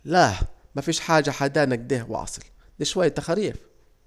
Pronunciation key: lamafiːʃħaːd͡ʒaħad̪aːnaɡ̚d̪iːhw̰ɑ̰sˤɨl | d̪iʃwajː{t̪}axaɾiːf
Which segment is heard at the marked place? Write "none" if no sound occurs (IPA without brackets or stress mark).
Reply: t̪